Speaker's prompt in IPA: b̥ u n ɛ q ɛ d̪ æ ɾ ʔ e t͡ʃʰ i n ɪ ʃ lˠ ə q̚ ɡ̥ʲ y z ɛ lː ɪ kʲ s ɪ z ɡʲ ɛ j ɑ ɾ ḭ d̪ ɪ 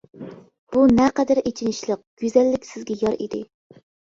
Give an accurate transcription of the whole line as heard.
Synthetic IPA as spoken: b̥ u n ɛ q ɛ d̪ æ ɾ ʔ e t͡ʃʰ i n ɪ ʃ lˠ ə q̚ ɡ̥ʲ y z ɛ lː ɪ kʲ s ɪ z ɡʲ ɛ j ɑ ɾ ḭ d̪ ɪ